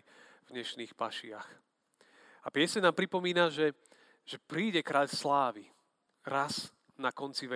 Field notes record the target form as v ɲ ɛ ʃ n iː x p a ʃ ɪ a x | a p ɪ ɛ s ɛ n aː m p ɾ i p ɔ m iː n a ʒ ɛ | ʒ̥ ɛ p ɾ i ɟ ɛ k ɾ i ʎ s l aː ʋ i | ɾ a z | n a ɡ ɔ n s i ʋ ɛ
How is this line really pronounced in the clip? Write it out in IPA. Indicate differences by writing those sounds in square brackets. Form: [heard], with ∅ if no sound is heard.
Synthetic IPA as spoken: v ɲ ɛ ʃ n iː x p a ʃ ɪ a x | a p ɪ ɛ s ɛ n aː m p ɾ i p ɔ m iː n a ʒ ɛ | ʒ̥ ɛ p ɾ [iː] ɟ ɛ k ɾ [a] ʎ s l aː ʋ i | ɾ a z | n a [k] ɔ n [t͡s] i ʋ ɛ